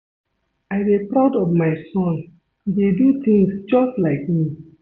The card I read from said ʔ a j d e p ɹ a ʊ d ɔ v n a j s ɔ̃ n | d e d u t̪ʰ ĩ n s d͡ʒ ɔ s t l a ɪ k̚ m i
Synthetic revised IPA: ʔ a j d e p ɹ a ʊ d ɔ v m a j s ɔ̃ n | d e d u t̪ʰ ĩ ŋ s d͡ʒ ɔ s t l a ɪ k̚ m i